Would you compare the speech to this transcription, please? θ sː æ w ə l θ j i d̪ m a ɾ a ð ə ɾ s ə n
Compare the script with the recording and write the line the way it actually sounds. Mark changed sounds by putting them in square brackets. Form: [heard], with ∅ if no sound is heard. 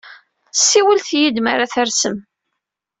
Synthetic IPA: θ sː [i] w ə l θ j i d̪ m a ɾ a [θ] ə ɾ s ə [m]

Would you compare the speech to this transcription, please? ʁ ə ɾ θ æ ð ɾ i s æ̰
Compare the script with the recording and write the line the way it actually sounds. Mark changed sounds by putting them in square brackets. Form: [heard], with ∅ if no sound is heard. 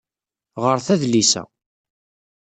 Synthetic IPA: ʁ ə ɾ θ æ ð [l] i s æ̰

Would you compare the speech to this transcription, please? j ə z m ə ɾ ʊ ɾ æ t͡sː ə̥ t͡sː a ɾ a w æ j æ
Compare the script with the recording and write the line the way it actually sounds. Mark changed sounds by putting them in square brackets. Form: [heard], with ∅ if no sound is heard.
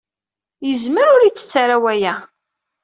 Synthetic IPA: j ə z m ə ɾ ʊ ɾ [i] t͡sː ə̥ t͡sː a ɾ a w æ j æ

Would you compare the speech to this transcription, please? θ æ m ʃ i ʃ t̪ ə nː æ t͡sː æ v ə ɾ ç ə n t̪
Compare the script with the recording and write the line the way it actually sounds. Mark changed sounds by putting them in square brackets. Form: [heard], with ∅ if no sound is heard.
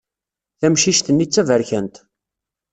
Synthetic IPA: θ æ m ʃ i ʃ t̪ ə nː [i] t͡sː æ v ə ɾ ç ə n t̪

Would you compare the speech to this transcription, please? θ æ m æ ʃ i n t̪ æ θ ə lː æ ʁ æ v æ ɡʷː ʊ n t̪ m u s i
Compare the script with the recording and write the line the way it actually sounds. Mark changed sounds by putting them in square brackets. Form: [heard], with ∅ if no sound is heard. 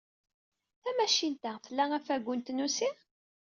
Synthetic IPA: θ æ m æ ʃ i n t̪ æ θ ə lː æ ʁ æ [f] æ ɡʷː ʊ n t̪ [n] u s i

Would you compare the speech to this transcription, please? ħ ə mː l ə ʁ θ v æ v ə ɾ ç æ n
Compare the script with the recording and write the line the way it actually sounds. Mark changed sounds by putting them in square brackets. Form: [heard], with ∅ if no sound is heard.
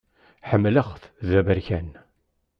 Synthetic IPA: ħ ə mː l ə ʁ θ [ð] æ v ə ɾ ç æ n

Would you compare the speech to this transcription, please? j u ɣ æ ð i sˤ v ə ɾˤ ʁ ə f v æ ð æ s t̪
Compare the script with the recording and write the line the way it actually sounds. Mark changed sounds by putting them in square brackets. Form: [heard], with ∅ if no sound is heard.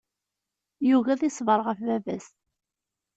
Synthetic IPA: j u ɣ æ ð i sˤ v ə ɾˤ ʁ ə f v æ [v] æ s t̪

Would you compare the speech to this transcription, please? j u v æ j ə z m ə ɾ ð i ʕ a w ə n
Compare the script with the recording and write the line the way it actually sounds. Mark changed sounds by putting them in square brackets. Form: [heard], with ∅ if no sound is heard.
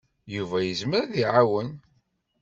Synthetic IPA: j u v æ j ə z m ə ɾ ð i ʕ a w ə n

